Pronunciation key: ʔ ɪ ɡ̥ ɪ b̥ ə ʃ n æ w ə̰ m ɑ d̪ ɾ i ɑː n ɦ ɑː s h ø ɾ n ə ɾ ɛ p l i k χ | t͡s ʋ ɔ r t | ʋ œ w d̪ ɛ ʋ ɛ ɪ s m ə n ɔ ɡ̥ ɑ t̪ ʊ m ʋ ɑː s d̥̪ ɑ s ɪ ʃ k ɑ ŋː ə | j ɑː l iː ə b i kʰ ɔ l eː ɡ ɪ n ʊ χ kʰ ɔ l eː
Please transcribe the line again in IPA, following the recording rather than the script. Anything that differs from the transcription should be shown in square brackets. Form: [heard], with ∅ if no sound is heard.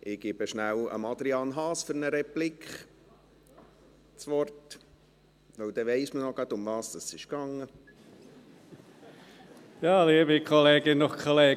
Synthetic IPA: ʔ ɪ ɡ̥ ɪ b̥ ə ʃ n æ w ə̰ m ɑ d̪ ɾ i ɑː n ɦ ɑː s [f] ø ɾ n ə ɾ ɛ p l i k χ | t͡s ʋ ɔ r t | ʋ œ w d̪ ɛ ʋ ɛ ɪ s m ə n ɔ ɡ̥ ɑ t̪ ʊ m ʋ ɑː s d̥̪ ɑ s ɪ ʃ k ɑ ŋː ə | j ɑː l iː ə b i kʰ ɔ l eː ɡ ɪ n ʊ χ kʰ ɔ l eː